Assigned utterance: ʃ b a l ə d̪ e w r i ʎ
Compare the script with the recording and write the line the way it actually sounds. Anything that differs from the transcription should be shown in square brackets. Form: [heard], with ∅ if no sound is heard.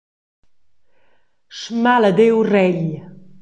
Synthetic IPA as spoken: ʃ [m] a l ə d̪ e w r [ɛ] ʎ